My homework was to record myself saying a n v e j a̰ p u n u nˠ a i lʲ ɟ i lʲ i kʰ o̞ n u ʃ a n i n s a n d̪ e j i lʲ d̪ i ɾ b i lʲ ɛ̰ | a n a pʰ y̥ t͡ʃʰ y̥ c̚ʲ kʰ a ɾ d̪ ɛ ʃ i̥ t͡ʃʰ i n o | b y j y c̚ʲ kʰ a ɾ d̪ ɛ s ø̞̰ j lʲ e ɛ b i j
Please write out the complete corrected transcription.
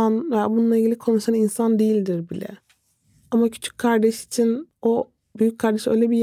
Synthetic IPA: a n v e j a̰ b u n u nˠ a i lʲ ɟ i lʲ i kʰ o̞ n u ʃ a n i n s a n d̪ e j i lʲ d̪ i ɾ b i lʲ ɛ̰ | a m a cʰ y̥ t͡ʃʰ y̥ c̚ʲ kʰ a ɾ d̪ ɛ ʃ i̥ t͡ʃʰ i n o | b y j y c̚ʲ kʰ a ɾ d̪ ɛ ʃ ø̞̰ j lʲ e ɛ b i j